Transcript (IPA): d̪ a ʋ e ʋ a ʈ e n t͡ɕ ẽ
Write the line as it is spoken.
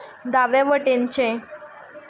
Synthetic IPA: d̪ a ʋ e ʋ ə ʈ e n t͡ɕ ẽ